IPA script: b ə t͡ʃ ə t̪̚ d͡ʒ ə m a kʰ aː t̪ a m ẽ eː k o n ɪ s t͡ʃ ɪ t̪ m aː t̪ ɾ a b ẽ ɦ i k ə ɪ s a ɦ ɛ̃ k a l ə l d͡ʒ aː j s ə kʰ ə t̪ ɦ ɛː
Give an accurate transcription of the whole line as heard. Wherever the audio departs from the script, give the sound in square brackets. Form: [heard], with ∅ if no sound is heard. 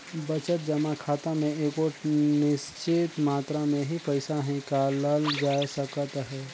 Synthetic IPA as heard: b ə t͡ʃ ə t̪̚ d͡ʒ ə m a kʰ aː t̪ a m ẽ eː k o n ɪ s t͡ʃ ɪ t̪ m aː t̪ ɾ a [m] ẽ ɦ i [p] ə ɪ s a ɦ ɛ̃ k a l ə l d͡ʒ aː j s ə [k] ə t̪ ɦ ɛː